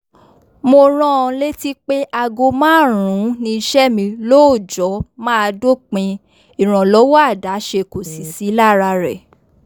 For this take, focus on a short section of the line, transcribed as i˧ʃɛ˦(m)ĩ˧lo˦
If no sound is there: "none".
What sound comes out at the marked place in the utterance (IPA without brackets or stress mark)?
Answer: m